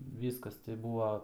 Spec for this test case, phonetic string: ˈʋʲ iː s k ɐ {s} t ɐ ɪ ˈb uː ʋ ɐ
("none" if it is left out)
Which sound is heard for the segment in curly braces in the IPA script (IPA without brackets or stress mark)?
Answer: s